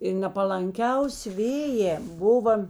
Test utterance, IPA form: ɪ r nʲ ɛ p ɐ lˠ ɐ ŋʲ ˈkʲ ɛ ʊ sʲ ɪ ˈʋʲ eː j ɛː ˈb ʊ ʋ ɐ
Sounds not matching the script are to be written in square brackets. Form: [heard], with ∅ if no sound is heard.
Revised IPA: ɪ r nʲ ɛ p ɐ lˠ ɐ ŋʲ ˈkʲ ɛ ʊ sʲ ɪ ˈʋʲ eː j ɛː ˈb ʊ ʋ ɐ